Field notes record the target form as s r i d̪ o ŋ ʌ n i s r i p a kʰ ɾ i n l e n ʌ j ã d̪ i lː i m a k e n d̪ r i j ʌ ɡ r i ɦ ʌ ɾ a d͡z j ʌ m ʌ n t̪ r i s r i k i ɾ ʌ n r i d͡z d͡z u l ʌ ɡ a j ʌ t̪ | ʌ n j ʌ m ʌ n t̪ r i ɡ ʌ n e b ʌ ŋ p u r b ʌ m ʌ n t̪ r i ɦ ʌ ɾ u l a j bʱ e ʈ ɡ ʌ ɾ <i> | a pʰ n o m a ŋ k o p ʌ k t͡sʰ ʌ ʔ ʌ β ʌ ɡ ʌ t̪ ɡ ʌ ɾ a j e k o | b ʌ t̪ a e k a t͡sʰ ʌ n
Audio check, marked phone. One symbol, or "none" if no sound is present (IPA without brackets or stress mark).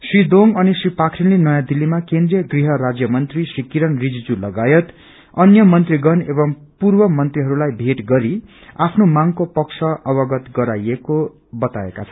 i